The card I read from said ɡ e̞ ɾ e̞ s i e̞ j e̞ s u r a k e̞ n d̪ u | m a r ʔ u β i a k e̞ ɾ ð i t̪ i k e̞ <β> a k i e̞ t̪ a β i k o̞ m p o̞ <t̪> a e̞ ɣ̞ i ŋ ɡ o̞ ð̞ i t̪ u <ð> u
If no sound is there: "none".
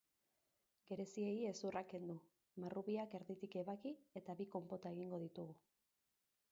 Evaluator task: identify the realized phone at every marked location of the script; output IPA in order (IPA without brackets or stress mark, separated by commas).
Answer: β, t̪, ɣ